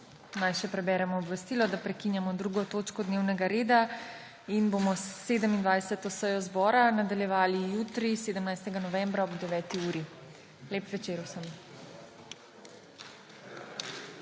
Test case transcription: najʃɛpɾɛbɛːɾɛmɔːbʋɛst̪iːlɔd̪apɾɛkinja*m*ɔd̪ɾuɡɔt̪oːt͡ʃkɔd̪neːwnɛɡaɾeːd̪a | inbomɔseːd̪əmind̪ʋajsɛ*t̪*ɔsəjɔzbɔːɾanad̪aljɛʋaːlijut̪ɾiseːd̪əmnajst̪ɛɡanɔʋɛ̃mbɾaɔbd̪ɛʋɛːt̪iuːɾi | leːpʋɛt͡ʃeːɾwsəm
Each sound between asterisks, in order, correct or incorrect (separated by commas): correct, correct